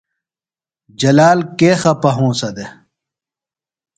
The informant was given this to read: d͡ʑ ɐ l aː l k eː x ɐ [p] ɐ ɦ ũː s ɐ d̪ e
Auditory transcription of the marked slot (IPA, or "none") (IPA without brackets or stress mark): p